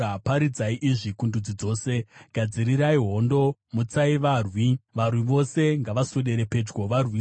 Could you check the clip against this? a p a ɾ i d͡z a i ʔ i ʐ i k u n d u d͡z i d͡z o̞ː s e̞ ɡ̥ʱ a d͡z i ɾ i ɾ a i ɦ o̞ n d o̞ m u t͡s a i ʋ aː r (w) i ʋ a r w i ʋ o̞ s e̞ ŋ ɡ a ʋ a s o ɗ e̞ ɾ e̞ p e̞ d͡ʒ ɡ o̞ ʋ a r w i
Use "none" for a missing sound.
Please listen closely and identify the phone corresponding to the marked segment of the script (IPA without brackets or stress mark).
w